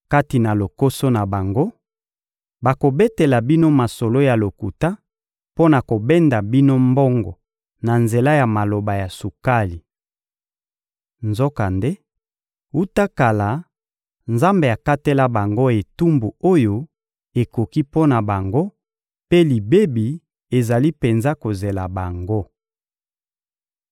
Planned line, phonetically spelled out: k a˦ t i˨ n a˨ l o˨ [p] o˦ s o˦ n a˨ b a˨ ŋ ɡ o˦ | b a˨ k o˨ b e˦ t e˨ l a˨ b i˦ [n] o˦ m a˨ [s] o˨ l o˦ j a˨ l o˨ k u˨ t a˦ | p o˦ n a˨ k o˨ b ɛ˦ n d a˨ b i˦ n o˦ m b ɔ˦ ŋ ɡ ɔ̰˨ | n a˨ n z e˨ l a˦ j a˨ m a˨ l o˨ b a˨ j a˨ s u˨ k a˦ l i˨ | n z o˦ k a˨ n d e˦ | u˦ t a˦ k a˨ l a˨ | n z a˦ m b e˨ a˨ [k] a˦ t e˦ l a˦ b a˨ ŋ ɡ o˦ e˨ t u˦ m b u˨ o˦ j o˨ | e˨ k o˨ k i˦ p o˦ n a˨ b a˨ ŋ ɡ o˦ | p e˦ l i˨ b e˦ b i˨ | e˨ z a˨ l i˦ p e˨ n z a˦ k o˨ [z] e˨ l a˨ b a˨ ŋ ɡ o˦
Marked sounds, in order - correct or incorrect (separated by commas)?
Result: incorrect, correct, correct, correct, correct